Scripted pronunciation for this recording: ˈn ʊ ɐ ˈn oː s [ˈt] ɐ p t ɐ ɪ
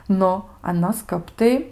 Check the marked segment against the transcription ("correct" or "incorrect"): incorrect